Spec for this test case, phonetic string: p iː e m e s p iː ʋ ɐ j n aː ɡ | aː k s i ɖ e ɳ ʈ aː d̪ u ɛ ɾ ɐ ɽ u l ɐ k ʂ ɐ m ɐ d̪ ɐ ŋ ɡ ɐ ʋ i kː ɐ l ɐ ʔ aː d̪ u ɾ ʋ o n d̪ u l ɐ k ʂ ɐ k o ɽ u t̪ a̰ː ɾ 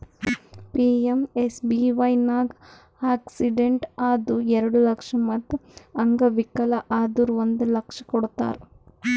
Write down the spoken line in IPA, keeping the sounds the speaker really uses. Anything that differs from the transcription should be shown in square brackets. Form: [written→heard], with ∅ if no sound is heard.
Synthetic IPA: p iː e m e s [p→b] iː ʋ ɐ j n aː ɡ | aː k s i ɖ e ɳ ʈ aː d̪ u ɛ ɾ ɐ ɽ u l ɐ k ʂ ɐ m ɐ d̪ ɐ ŋ ɡ ɐ ʋ i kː ɐ l ɐ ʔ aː d̪ u ɾ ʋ o n d̪ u l ɐ k ʂ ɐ k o ɽ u t̪ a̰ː ɾ

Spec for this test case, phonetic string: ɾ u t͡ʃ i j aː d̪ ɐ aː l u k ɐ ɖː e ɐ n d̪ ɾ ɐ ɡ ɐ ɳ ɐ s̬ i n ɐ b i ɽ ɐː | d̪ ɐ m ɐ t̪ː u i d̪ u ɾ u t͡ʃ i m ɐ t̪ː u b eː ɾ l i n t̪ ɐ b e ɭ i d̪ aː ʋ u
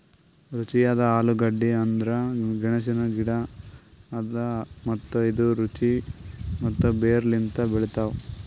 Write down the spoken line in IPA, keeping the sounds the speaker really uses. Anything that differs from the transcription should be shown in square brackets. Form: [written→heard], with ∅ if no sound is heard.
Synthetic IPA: ɾ u t͡ʃ i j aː d̪ ɐ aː l u [k→ɡ] ɐ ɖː [e→i] ɐ n d̪ ɾ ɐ ɡ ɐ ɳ ɐ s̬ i n ɐ [b→ɡ] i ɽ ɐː | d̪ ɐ m ɐ t̪ː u i d̪ u ɾ u t͡ʃ i m ɐ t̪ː u b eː ɾ l i n t̪ ɐ b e ɭ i [d̪→t̪] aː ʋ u

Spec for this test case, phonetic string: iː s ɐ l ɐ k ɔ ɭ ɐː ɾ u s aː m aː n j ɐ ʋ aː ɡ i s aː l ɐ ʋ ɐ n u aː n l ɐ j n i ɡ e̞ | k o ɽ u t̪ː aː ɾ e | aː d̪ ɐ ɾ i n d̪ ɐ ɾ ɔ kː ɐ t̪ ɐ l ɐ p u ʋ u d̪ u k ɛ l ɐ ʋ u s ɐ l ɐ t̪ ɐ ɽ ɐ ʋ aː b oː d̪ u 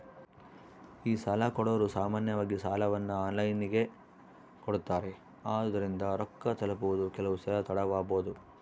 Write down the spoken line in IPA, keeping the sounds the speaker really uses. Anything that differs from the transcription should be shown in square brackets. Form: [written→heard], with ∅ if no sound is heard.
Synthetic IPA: iː s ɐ l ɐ k ɔ [ɭ→ɽ] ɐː ɾ u s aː m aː n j ɐ ʋ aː ɡ i s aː l ɐ ʋ ɐ [n→nː] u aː n l ɐ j n i ɡ e̞ | k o ɽ u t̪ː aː ɾ e | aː d̪ ɐ ɾ i n d̪ ɐ ɾ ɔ kː ɐ t̪ ɐ l ɐ p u ʋ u d̪ u k ɛ l ɐ ʋ u s ɐ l ɐ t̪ ɐ ɽ ɐ ʋ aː b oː d̪ u

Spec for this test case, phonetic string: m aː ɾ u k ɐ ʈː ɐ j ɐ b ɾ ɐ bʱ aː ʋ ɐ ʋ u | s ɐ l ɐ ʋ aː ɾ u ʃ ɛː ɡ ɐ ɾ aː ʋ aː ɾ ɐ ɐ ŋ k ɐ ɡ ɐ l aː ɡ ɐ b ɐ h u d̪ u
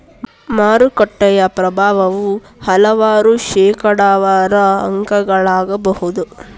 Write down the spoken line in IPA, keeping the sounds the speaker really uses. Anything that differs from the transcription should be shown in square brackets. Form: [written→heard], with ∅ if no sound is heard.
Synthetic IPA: m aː ɾ u k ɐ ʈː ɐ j ɐ [b→p] ɾ ɐ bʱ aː ʋ ɐ ʋ u | [s→h] ɐ l ɐ ʋ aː ɾ u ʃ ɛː [ɡ→k] ɐ [ɾ→ɽ] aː ʋ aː ɾ ɐ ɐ ŋ k ɐ ɡ ɐ [l→ɭ] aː ɡ ɐ b ɐ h u d̪ u

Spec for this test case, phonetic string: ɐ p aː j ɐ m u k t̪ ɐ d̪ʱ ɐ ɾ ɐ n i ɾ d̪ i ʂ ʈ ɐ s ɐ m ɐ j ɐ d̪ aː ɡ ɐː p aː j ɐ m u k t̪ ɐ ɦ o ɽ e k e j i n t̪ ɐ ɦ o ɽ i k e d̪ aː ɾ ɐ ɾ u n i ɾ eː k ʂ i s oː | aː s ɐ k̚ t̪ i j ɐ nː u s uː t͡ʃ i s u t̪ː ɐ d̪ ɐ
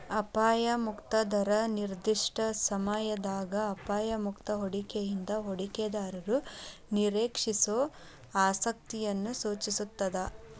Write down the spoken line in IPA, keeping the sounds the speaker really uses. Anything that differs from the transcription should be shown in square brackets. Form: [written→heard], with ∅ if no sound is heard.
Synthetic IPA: ɐ p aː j ɐ m u k t̪ ɐ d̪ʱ ɐ ɾ ɐ n i ɾ d̪ i ʂ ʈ ɐ s ɐ m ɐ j ɐ d̪ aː ɡ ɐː p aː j ɐ m u k t̪ ɐ ɦ o ɽ [e→i] k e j i n [t̪→d̪] ɐ ɦ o ɽ i k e d̪ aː ɾ ɐ ɾ u n i ɾ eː k ʂ i s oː | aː s ɐ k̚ t̪ i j ɐ nː u s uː t͡ʃ i s u t̪ː ɐ d̪ ɐ

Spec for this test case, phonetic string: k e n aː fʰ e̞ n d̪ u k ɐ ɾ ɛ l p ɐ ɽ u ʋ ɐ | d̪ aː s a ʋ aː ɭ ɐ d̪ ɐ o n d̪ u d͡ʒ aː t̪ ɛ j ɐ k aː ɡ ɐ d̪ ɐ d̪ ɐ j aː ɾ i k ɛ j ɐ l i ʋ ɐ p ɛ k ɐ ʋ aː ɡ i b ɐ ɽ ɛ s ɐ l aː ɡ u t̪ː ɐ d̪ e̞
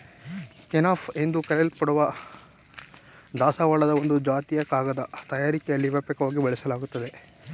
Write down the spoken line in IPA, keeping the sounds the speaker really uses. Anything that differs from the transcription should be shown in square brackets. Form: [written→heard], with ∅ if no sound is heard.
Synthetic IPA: k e n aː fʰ e̞ n d̪ u k ɐ ɾ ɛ l p ɐ ɽ u ʋ ɐ | d̪ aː s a ʋ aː ɭ ɐ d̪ ɐ o n d̪ u d͡ʒ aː t̪ [ɛ→i] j ɐ k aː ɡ ɐ d̪ ɐ [d̪→t̪] ɐ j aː ɾ i k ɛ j ɐ [l→lː] i ʋ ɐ p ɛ k ɐ ʋ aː ɡ i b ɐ [ɽ→ɭ] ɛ s ɐ l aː ɡ u t̪ː ɐ d̪ e̞

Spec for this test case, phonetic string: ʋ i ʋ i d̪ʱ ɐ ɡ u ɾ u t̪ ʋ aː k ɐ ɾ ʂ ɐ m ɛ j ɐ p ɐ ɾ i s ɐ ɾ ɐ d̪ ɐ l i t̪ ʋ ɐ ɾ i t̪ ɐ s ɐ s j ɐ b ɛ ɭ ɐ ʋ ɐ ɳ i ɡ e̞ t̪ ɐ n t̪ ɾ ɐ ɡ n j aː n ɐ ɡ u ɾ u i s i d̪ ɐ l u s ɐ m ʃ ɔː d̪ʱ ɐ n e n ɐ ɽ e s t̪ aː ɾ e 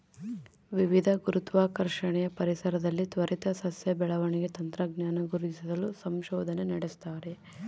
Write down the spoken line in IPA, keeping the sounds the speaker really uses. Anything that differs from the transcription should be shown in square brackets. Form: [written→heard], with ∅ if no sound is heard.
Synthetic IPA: ʋ i ʋ i d̪ʱ ɐ ɡ u ɾ u t̪ ʋ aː k ɐ ɾ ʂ ɐ [m→ɳ] ɛ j ɐ p ɐ ɾ i s ɐ ɾ ɐ d̪ ɐ [l→lː] i t̪ ʋ ɐ ɾ i t̪ ɐ s ɐ s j ɐ b ɛ ɭ ɐ ʋ ɐ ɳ i ɡ e̞ t̪ ɐ n t̪ ɾ ɐ ɡ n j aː n ɐ ɡ u ɾ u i s i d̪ ɐ l u s ɐ m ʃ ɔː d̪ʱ ɐ n e n ɐ ɽ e s t̪ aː ɾ e

